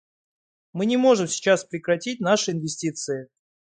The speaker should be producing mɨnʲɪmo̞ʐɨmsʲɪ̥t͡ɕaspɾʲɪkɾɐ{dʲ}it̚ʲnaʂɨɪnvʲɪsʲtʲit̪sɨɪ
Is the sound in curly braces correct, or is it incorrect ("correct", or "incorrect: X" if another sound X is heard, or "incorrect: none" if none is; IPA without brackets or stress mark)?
incorrect: tʲ